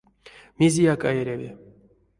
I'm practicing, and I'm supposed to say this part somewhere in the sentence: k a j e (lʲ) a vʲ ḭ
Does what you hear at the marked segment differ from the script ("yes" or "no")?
yes